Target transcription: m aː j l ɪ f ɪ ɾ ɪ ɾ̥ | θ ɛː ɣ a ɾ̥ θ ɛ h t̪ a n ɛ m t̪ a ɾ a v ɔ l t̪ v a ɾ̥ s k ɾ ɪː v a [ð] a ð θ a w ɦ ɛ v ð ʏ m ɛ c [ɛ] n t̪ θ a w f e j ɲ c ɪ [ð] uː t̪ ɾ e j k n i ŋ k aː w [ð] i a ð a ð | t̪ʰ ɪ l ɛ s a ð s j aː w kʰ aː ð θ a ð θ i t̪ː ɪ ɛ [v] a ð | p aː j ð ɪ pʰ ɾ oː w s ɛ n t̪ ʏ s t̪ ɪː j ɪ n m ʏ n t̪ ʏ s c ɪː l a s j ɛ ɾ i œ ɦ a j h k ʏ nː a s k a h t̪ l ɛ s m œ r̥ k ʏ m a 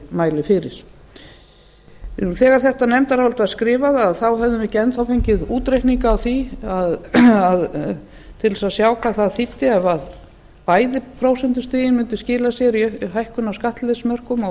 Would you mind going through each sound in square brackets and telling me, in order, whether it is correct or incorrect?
correct, correct, correct, incorrect, correct

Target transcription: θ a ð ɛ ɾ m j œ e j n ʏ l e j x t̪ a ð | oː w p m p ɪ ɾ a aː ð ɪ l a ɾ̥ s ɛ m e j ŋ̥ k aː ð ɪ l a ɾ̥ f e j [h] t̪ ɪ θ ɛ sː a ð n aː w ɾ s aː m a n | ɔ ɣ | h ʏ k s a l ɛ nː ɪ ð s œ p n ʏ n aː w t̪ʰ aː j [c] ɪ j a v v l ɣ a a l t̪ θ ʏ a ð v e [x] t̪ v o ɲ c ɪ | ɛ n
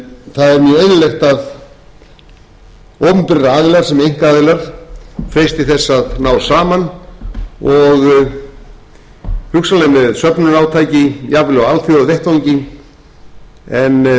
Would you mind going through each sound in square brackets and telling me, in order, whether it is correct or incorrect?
incorrect, correct, incorrect

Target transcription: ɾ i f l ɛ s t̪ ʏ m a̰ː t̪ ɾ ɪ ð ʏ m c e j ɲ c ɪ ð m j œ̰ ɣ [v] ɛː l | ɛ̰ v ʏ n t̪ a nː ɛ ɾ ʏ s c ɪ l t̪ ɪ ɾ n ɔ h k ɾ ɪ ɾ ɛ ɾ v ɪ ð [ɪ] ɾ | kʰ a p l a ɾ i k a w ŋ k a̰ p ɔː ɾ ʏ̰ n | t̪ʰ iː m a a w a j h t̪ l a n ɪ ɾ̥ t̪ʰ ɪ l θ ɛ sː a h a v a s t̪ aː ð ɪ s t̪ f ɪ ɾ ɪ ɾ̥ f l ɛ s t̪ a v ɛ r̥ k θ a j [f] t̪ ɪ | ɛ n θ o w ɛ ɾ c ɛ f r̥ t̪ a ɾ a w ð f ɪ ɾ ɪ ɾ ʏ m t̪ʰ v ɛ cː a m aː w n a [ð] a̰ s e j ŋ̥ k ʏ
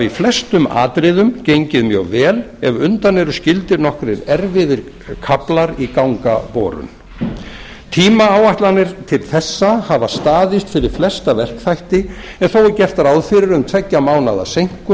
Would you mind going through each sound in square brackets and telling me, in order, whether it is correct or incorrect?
correct, correct, incorrect, correct

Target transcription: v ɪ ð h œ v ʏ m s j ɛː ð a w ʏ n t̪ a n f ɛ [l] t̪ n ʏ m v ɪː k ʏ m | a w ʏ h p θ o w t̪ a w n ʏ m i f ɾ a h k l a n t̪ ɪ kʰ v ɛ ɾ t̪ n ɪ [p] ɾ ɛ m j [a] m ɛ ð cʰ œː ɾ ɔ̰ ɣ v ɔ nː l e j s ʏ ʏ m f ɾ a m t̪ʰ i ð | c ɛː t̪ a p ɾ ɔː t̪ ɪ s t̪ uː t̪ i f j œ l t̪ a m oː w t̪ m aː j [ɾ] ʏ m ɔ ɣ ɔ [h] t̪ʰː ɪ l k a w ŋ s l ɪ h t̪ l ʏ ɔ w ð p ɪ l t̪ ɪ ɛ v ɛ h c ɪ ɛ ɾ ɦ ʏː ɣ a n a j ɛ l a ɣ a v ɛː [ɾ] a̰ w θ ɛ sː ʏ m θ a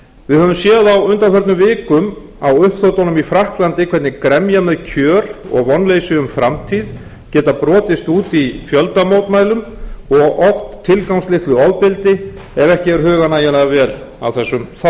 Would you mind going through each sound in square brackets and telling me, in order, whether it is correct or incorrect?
incorrect, incorrect, correct, incorrect, incorrect, incorrect

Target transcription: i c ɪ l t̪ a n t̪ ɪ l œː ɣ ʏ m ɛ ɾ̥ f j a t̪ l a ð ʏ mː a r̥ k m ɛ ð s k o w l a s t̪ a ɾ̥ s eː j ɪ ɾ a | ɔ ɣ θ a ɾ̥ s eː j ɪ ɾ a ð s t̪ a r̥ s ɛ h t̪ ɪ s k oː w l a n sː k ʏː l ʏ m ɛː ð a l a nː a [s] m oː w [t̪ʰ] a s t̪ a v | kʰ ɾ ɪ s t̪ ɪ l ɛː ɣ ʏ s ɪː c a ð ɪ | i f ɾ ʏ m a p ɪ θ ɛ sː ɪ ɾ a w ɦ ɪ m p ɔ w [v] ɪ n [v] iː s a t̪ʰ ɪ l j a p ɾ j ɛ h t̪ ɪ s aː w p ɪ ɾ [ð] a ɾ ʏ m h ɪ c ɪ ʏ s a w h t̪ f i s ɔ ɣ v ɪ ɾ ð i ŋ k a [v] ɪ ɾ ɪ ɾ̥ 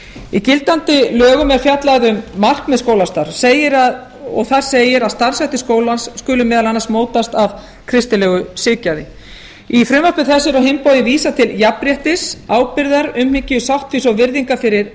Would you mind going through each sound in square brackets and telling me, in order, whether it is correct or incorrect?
correct, incorrect, incorrect, correct, correct, incorrect

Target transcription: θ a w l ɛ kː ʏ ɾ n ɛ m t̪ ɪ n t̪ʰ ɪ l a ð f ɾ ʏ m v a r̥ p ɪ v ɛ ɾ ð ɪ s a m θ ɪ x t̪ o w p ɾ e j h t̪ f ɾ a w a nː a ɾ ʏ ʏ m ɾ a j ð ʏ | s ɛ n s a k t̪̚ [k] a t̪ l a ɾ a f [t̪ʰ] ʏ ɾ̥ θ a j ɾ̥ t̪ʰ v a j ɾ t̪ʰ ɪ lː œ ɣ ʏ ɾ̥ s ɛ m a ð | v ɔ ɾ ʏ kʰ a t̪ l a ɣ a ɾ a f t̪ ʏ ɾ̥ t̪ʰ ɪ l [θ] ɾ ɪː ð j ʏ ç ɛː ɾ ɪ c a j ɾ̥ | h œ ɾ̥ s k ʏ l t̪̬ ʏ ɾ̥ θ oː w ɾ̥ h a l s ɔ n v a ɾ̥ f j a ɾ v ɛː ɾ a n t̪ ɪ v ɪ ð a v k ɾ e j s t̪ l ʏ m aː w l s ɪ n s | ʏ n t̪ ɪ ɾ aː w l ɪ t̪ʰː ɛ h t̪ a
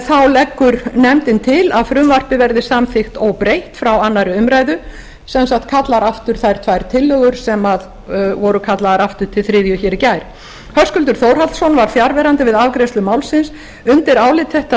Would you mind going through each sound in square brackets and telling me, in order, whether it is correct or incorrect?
incorrect, incorrect, correct

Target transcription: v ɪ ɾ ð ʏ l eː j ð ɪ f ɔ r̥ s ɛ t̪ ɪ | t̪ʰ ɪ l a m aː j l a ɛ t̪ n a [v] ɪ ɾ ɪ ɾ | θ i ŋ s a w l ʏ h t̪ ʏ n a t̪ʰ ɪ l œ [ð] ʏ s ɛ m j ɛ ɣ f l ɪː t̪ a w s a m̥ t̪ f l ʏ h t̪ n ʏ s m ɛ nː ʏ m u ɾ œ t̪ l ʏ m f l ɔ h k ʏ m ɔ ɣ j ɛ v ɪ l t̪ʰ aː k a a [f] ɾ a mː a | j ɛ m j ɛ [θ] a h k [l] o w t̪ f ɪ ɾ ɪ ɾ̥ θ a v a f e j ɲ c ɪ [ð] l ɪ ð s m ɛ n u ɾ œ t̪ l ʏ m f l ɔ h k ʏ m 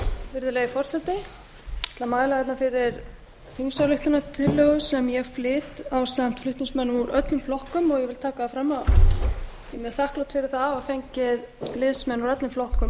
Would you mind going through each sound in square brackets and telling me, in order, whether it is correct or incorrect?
incorrect, incorrect, correct, correct, correct, correct

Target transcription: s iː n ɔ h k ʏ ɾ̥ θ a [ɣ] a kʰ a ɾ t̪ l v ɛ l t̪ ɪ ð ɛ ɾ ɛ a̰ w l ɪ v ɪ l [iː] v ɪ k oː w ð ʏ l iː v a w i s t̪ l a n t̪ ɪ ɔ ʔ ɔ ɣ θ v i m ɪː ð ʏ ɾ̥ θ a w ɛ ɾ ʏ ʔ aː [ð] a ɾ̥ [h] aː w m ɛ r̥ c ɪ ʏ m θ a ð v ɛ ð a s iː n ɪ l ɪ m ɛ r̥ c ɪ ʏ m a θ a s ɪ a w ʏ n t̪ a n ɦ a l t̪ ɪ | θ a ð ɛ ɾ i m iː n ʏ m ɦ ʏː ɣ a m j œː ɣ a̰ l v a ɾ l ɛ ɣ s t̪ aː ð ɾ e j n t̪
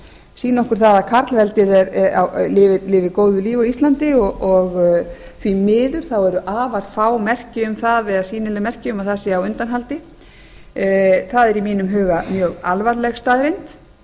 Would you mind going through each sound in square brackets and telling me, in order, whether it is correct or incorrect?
incorrect, incorrect, incorrect, incorrect

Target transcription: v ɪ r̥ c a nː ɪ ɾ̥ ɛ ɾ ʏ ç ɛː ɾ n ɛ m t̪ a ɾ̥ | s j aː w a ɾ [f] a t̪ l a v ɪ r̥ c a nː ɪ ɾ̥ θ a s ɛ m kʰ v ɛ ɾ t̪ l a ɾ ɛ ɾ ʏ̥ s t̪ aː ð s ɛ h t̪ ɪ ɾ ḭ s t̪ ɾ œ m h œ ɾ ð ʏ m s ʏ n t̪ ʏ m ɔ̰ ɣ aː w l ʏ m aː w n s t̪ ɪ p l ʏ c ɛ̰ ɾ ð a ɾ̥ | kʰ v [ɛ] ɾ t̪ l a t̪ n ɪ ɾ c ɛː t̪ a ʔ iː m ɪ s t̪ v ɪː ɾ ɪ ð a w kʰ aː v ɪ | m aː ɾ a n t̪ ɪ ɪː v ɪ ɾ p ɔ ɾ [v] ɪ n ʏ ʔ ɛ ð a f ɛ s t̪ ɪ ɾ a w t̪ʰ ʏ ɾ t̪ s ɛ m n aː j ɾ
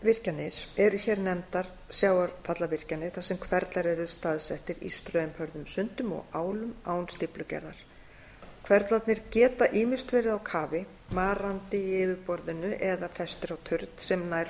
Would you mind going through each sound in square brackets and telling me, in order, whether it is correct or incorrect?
correct, correct, incorrect

